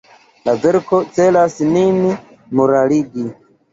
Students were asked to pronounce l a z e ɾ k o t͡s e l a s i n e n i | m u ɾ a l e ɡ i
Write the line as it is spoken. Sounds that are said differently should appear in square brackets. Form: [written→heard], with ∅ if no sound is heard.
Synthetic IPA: l a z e ɾ k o t͡s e l a s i n [e→i] n i | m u ɾ a l [e→i] ɡ i